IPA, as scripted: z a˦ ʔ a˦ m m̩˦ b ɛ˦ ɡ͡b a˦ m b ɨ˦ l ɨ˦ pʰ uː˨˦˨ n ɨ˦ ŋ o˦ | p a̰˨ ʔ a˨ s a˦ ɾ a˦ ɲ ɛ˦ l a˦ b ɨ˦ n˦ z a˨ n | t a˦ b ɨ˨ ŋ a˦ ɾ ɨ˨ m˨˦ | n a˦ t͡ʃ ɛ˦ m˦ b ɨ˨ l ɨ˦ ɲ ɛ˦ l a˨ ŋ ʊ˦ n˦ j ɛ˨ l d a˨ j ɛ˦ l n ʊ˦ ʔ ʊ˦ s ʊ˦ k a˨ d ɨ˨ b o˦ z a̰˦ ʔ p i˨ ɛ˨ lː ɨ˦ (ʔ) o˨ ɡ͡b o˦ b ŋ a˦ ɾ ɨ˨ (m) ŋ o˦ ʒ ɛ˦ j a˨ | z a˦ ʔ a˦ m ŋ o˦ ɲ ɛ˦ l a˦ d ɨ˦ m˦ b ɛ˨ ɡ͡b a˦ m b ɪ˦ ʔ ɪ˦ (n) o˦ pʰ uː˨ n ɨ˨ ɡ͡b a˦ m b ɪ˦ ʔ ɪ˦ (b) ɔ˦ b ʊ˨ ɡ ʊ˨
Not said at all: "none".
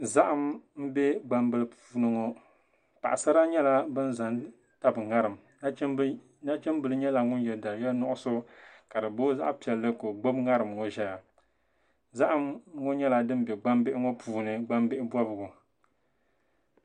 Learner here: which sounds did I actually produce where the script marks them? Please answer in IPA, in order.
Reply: k, m, ŋ, b

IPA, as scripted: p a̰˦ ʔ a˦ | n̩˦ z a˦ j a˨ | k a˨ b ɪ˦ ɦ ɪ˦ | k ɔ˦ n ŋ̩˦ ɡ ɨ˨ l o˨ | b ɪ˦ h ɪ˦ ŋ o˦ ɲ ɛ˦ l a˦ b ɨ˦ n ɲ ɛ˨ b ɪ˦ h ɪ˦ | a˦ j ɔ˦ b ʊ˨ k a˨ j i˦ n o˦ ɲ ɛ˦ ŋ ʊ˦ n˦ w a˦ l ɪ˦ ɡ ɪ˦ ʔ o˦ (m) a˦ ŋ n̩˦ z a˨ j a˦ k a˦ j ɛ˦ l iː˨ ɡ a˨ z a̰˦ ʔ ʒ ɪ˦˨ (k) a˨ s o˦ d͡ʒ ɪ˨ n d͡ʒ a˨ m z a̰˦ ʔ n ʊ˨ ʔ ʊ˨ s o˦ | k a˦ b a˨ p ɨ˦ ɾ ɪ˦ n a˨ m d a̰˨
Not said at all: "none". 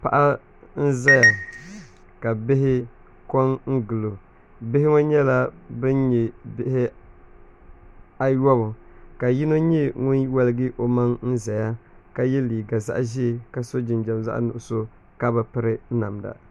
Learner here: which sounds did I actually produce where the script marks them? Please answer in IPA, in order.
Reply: m, k

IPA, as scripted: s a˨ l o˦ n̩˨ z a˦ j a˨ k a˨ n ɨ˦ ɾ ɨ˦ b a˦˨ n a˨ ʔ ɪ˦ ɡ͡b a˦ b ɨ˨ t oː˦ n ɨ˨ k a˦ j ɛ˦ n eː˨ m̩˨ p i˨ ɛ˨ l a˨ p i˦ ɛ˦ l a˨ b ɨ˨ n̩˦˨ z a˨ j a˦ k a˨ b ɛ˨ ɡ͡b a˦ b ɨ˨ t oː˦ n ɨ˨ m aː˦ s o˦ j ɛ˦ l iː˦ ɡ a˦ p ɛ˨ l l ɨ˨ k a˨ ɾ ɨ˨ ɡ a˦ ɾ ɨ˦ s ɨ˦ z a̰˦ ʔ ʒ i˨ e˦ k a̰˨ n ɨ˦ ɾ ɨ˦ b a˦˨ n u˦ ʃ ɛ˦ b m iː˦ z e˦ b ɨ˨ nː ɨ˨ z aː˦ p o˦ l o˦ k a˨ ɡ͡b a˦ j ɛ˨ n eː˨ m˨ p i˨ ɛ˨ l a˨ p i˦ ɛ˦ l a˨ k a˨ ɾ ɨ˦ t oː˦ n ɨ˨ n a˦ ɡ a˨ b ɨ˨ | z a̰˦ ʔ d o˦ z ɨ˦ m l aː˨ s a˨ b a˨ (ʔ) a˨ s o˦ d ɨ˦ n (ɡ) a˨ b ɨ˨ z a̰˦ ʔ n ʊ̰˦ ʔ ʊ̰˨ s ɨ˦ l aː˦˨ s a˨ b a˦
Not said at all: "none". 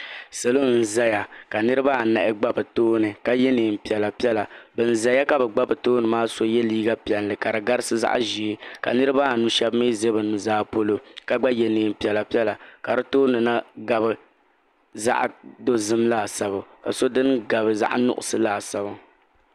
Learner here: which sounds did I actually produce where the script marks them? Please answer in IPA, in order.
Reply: k, ɡ

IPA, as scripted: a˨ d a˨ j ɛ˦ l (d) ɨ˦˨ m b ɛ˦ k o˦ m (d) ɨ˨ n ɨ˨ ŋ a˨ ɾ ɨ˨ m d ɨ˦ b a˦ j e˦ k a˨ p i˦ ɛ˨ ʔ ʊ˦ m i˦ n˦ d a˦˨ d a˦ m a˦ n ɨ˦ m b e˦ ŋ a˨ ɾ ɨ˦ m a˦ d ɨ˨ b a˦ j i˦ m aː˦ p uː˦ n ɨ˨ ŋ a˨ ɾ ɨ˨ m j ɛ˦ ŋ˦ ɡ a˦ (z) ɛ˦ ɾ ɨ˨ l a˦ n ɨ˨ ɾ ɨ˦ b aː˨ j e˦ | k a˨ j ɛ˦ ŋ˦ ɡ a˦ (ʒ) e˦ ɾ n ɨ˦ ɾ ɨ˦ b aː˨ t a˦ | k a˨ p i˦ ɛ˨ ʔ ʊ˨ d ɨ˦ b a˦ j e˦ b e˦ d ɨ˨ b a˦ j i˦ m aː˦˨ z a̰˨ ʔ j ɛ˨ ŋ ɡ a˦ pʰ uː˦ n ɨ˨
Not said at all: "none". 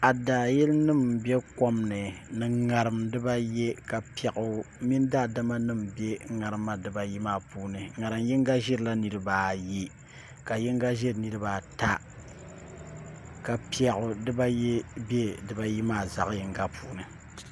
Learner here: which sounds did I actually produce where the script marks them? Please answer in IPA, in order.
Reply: n, n, ʒ, ʒ

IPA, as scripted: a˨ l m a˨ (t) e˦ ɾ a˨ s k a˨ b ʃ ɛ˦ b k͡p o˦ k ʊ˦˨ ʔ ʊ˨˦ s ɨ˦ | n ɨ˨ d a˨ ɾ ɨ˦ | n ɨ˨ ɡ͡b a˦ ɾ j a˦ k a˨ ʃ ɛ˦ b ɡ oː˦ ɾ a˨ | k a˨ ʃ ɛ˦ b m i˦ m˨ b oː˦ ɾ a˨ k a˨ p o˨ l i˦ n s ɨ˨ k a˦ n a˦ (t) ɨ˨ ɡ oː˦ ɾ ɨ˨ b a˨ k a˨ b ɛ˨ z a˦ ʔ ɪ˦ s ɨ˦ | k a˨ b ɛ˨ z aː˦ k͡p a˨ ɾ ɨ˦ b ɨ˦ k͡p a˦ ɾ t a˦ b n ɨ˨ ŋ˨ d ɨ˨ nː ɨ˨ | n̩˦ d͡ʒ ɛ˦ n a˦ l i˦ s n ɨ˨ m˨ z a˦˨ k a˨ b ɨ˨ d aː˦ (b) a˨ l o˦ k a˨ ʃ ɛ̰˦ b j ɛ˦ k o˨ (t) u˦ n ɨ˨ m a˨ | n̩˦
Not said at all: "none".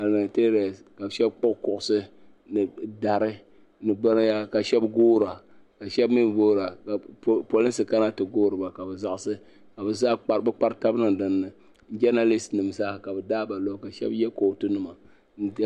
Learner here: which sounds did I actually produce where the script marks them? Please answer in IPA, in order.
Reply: t, t, b, t

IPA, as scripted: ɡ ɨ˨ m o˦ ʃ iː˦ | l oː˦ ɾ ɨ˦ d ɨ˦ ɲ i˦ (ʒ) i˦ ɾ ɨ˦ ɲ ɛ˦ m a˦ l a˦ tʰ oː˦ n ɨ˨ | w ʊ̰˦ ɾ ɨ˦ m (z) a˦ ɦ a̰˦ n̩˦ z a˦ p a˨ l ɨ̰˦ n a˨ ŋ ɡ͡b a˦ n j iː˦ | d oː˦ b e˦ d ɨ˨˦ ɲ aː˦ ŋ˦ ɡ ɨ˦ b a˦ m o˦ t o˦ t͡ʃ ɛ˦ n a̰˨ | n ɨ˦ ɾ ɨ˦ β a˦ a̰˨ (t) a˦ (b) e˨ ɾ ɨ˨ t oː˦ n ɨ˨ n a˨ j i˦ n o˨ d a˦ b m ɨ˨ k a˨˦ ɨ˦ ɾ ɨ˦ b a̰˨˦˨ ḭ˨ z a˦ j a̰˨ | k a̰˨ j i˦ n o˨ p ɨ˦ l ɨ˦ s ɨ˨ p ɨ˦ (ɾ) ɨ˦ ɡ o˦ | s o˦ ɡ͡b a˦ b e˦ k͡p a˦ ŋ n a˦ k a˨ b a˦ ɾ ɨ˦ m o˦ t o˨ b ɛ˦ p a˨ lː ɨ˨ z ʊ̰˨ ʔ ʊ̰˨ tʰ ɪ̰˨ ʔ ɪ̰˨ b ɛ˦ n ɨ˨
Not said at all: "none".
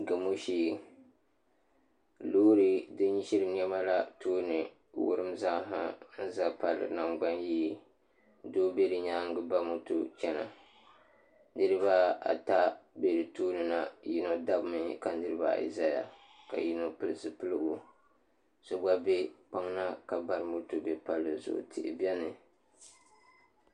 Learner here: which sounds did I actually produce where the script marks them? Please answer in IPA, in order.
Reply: ʃ, z, t, b, l

